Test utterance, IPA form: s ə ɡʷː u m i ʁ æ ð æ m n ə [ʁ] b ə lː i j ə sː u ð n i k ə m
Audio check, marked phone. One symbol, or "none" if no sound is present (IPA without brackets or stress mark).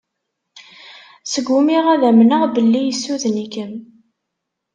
ʁ